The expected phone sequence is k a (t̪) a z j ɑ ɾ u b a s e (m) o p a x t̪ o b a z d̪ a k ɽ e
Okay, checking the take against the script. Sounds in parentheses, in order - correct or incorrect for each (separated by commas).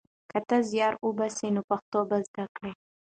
correct, incorrect